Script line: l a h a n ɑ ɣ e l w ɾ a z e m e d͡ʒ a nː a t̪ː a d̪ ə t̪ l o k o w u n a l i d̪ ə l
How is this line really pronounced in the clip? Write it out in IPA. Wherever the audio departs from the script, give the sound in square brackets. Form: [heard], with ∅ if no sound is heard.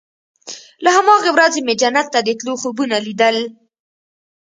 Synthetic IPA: l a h a [m] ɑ ɣ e [∅] w ɾ a z e m e d͡ʒ a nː a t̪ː a d̪ ə t̪ l o [x] o [b] u n a l i d̪ ə l